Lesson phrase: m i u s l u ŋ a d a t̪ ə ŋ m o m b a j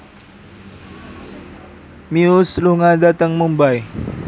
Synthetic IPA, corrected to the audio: m i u s l u ŋ a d a t̪ ə ŋ m u m b a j